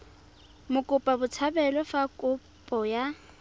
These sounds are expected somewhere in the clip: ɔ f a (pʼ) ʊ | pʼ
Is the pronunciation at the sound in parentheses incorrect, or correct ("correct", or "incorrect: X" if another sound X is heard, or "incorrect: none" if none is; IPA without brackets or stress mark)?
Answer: incorrect: kʼ